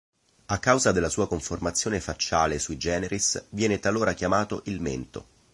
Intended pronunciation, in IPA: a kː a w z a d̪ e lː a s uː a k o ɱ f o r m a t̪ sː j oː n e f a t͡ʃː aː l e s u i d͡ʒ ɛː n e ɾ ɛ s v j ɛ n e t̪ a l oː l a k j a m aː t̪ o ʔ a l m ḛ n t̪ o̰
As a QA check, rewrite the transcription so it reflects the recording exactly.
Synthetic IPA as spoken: a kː a w z a d̪ e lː a s uː a k o ɱ f o r m a t̪ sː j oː n e f a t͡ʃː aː l e s u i d͡ʒ ɛː n e ɾ i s v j ɛː n e t̪ a l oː ɾ a k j a m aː t̪ o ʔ i l m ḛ n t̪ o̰